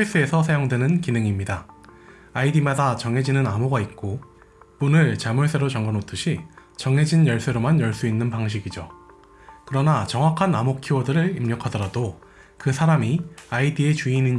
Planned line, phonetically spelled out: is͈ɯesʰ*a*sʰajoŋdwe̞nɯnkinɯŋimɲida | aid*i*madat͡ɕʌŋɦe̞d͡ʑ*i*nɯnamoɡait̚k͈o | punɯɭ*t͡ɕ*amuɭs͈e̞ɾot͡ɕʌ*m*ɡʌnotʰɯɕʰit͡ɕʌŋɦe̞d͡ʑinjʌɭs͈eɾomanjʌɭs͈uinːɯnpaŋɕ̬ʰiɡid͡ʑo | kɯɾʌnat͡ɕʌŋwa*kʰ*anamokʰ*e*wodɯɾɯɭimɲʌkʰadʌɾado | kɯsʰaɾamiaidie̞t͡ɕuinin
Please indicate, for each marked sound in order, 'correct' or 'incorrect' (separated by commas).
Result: incorrect, correct, correct, correct, incorrect, correct, incorrect